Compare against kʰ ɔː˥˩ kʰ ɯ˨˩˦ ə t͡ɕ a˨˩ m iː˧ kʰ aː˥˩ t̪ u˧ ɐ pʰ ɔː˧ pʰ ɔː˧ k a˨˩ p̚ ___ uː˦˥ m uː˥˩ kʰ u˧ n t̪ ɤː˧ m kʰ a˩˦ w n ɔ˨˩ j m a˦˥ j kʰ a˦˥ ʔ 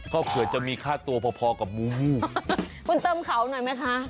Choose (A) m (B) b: A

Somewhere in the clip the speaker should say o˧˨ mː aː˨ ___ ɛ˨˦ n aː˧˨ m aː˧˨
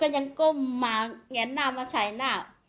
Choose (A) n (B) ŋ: B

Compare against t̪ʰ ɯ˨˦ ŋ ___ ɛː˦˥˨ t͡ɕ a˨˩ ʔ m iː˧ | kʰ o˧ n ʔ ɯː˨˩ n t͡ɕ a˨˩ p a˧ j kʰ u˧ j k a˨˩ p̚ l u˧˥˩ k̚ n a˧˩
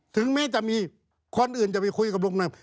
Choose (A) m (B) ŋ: A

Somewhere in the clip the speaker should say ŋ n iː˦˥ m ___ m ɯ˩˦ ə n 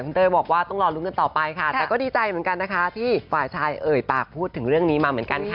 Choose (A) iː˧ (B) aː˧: B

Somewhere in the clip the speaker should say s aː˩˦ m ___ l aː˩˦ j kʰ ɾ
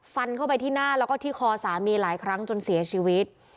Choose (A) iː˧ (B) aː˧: A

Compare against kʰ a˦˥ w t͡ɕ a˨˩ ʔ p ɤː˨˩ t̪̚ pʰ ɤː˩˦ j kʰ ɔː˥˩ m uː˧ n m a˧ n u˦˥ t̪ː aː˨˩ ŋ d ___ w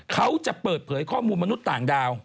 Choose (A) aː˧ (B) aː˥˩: A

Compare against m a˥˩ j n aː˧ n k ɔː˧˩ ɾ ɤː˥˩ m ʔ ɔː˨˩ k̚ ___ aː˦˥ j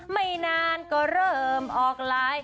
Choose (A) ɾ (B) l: B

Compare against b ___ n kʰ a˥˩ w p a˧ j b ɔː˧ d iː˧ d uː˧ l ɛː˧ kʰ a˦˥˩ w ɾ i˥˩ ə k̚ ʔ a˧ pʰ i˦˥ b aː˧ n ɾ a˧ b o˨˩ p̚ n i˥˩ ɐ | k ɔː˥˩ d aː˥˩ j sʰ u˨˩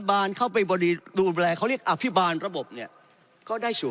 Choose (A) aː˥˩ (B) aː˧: B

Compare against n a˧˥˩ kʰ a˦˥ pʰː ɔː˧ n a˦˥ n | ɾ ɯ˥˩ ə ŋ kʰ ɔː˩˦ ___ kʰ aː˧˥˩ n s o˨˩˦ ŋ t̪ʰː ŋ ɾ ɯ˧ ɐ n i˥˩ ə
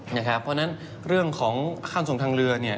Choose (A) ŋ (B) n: A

